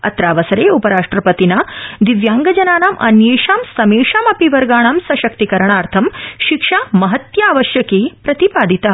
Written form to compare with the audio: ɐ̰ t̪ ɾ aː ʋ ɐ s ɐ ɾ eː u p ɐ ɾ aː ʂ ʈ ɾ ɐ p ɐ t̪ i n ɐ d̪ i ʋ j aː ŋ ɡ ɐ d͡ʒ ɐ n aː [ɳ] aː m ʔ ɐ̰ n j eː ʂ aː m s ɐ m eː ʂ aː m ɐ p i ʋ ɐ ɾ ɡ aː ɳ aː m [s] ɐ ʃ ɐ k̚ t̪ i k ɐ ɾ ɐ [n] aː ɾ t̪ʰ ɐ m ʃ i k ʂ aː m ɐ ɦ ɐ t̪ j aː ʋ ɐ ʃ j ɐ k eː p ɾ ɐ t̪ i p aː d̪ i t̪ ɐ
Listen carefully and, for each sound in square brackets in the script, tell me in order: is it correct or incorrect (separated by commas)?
incorrect, correct, incorrect